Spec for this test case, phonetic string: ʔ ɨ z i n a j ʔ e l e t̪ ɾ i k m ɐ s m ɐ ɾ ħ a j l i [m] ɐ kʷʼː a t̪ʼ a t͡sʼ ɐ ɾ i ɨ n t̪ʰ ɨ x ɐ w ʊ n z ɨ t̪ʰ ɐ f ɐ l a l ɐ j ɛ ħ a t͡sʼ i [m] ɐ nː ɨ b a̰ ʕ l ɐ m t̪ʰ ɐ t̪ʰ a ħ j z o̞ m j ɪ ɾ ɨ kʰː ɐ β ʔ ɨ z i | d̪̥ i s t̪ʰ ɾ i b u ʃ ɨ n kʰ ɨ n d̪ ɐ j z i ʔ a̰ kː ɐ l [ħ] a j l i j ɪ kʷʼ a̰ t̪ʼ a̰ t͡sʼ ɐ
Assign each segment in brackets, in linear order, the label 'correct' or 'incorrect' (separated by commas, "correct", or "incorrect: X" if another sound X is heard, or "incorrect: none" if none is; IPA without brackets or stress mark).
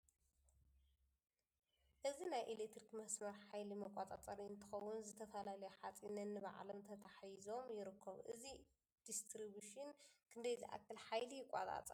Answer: correct, incorrect: n, correct